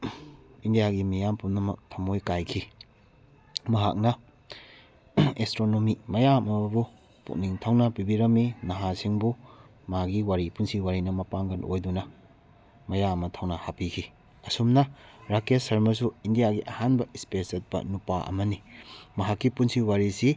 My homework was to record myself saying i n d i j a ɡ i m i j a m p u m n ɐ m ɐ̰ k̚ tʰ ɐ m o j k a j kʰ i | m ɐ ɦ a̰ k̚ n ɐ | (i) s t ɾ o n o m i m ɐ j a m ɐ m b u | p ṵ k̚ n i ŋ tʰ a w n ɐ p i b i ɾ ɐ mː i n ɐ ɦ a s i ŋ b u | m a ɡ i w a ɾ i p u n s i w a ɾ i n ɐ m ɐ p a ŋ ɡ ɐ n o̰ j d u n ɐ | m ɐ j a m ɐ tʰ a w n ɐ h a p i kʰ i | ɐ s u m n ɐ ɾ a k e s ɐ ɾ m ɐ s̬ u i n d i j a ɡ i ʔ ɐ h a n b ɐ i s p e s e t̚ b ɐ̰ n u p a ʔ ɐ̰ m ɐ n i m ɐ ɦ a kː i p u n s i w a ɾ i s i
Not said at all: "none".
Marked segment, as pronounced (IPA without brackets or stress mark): e